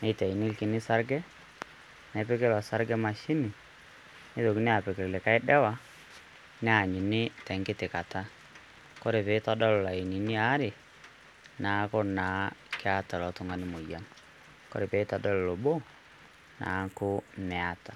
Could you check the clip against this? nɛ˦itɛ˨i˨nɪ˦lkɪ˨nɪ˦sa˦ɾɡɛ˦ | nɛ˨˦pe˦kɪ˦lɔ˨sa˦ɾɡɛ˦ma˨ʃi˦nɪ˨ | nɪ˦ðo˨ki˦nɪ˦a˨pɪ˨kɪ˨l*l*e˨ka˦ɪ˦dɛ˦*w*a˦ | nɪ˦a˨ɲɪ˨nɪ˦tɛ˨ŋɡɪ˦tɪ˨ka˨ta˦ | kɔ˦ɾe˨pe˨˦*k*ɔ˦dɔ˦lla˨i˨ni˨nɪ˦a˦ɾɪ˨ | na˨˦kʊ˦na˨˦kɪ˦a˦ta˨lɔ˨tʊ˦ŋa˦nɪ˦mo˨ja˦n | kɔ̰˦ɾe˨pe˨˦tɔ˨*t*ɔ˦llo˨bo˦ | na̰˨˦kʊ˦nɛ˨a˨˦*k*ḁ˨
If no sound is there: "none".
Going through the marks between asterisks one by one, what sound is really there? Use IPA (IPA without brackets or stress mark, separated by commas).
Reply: l, w, t, d, t